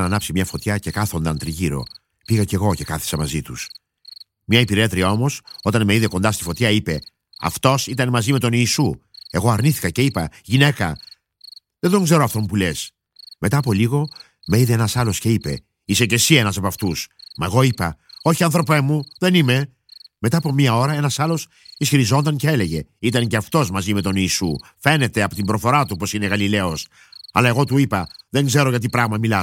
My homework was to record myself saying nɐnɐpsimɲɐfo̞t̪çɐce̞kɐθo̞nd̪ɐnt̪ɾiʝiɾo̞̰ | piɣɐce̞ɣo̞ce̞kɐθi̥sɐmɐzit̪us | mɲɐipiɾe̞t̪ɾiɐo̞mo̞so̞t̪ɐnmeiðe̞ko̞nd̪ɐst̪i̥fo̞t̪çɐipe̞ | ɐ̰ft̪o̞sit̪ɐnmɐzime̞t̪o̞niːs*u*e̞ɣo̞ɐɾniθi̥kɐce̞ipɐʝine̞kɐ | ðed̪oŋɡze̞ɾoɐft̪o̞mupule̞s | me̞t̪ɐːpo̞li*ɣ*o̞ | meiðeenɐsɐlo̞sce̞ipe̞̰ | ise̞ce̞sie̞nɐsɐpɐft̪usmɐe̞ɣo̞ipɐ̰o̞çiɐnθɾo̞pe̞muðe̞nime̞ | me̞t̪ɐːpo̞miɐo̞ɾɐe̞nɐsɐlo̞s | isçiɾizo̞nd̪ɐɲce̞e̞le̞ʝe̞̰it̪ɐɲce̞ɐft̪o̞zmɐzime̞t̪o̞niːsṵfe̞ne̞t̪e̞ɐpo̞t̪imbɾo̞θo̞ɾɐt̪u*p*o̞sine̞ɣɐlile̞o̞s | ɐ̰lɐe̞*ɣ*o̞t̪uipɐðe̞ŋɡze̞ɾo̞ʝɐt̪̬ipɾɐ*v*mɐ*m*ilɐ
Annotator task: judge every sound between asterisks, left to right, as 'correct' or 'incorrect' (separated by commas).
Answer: correct, correct, correct, correct, incorrect, correct